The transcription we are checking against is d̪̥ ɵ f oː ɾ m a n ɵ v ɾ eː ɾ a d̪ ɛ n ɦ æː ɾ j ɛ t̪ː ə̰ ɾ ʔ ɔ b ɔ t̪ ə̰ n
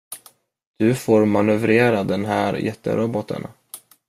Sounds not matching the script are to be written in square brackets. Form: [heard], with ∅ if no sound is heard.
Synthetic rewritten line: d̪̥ ɵ f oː ɾ m a n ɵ v ɾ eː ɾ a d̪ ɛ n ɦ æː ɾ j ɛ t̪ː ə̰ ɾ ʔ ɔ b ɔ t̪ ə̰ n